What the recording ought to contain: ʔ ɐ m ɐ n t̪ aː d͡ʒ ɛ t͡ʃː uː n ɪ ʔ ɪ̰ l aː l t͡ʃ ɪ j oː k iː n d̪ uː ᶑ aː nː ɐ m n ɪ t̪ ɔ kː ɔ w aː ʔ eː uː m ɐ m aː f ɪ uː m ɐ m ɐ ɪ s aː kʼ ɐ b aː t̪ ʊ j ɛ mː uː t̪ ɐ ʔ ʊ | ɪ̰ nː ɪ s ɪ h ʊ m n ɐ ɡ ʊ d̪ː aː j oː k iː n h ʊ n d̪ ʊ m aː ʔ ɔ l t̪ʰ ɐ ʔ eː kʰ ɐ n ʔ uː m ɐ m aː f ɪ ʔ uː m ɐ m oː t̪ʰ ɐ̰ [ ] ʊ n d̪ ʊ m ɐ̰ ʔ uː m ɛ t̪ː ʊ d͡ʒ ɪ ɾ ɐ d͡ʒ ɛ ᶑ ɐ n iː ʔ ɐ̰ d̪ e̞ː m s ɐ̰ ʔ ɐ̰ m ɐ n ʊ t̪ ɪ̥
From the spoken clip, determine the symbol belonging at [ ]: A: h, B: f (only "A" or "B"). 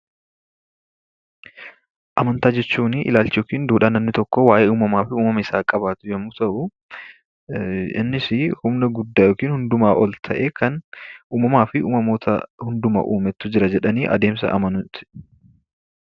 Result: A